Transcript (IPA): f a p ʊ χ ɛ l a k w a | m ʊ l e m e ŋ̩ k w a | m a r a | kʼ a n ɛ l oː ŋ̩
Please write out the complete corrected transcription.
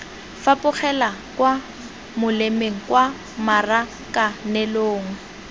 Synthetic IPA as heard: f a p ʊ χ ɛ l a k w a | m ʊ l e m e ŋ̩ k w a | m a r a | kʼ a n ɛ l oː ŋ̩